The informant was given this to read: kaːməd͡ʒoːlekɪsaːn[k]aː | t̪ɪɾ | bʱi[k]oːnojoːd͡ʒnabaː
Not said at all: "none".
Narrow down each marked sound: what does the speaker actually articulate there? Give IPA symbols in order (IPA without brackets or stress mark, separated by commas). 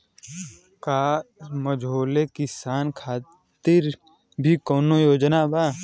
kʰ, k